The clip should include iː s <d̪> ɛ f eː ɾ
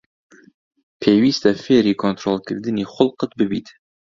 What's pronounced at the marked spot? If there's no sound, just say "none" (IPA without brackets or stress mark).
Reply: t̪